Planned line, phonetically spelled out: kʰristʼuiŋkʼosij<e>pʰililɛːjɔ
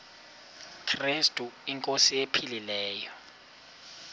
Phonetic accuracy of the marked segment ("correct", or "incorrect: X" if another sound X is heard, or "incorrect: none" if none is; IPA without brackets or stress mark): correct